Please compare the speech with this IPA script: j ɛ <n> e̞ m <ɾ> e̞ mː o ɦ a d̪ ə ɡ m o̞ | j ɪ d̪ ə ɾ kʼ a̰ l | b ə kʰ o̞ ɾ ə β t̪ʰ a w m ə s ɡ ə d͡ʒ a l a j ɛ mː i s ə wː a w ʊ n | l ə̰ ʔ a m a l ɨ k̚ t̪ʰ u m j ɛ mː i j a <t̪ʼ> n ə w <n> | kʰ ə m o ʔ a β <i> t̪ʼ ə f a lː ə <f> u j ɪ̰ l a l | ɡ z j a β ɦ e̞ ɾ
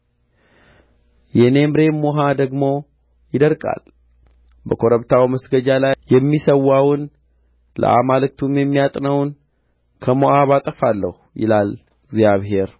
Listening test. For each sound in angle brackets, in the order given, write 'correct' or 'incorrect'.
correct, correct, correct, correct, incorrect: a, incorrect: h

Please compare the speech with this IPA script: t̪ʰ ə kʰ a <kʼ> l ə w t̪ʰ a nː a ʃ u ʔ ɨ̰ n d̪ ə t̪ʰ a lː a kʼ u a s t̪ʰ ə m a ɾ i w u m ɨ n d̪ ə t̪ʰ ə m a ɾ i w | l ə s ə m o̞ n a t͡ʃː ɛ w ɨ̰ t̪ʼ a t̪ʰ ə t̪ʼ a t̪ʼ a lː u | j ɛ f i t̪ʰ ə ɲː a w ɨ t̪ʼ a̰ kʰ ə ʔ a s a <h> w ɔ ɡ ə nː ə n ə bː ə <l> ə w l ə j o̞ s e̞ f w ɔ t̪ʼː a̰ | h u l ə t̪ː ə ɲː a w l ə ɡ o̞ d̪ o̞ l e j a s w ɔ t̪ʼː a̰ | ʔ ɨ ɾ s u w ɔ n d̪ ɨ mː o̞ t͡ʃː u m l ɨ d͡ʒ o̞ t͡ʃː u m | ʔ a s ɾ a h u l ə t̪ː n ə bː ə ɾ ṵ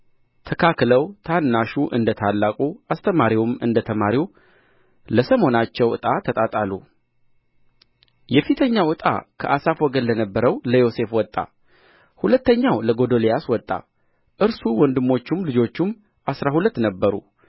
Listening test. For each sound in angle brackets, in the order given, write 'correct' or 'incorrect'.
incorrect: k, incorrect: f, incorrect: ɾ

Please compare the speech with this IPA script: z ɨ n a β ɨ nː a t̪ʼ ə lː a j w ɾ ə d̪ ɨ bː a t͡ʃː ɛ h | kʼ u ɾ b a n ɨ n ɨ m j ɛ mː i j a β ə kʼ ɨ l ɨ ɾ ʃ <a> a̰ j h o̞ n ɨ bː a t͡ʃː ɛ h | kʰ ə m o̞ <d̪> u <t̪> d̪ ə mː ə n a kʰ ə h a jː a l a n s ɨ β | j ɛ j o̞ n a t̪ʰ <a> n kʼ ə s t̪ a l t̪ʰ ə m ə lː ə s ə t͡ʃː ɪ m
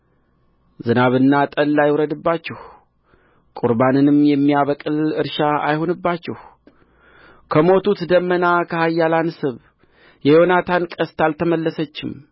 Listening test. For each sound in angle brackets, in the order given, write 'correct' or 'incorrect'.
correct, incorrect: t̪, correct, correct

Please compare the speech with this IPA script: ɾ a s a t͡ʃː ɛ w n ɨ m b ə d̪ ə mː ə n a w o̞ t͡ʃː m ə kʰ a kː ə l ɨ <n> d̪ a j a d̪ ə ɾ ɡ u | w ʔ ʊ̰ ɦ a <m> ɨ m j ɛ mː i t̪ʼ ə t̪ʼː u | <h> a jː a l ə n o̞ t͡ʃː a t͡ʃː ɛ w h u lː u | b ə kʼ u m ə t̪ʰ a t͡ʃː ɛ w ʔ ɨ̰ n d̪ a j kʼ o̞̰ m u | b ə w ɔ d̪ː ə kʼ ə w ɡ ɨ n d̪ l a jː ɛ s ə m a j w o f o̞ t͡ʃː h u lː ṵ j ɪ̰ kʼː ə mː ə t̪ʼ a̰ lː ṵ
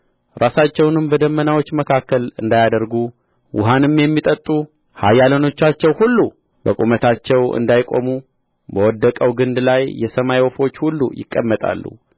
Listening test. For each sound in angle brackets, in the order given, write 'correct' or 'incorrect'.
correct, incorrect: n, correct

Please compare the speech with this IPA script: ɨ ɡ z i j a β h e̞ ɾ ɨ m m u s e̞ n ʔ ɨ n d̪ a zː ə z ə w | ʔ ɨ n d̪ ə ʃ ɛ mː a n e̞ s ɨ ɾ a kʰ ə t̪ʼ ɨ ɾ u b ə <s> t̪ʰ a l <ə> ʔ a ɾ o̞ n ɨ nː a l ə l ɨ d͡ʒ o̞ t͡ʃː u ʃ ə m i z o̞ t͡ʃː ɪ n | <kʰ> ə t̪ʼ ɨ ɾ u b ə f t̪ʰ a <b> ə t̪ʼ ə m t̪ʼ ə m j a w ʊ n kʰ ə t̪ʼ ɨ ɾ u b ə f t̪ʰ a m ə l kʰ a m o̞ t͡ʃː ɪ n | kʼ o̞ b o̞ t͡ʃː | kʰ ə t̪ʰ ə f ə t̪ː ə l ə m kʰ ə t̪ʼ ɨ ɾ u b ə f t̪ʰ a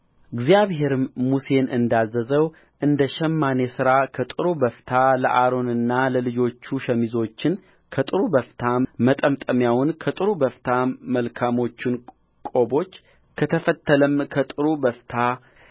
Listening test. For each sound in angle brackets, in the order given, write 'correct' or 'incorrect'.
incorrect: f, correct, correct, incorrect: m

